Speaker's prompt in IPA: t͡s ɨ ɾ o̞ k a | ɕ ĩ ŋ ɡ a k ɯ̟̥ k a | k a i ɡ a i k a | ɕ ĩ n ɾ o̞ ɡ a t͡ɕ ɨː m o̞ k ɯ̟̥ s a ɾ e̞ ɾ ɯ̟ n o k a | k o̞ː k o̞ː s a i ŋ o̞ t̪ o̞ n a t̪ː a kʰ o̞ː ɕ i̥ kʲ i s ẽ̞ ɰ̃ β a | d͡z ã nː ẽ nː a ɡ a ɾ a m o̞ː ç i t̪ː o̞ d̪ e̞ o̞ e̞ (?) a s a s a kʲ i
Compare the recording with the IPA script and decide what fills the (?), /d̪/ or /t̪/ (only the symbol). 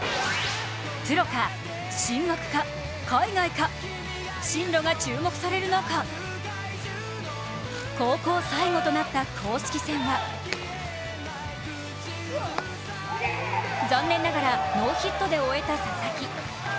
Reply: t̪